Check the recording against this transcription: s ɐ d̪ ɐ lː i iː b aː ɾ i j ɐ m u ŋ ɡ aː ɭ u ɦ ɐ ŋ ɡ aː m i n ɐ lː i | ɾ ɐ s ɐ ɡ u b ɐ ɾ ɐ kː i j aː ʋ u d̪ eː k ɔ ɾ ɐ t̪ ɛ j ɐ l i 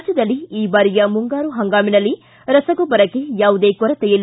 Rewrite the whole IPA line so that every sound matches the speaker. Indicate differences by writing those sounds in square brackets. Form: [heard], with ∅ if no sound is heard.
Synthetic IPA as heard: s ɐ d̪ ɐ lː i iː b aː ɾ i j ɐ m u ŋ ɡ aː [ɾ] u ɦ ɐ ŋ ɡ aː m i n ɐ lː i | ɾ ɐ s ɐ ɡ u b ɐ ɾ ɐ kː [e] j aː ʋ u d̪ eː k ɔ ɾ ɐ t̪ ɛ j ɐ l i